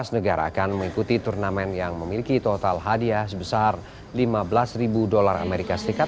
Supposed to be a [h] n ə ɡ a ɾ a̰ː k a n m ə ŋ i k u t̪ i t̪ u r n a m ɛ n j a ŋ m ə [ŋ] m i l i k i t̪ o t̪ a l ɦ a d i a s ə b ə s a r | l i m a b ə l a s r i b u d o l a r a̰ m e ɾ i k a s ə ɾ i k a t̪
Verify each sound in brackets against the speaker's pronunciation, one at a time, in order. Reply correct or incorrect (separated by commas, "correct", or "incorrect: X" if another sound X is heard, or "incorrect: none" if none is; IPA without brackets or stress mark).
incorrect: s, incorrect: none